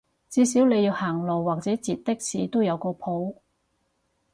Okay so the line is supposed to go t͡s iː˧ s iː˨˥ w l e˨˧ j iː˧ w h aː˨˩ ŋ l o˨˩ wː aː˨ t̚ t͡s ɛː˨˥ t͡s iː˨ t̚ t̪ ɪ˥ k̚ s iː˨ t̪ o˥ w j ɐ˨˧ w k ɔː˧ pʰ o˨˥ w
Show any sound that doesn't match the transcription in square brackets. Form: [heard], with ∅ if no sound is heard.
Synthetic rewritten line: t͡s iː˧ s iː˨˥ w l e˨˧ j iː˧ w h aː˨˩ ŋ l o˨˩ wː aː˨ [k̚] t͡s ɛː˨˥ t͡s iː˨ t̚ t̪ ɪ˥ k̚ s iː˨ t̪ o˥ w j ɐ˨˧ w k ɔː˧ pʰ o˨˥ w